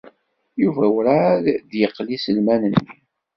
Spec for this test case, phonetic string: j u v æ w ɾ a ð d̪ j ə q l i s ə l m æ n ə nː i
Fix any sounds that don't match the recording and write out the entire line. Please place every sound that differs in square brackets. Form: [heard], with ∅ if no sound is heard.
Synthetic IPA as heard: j u v æ w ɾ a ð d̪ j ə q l i s ə l m æ n ə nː i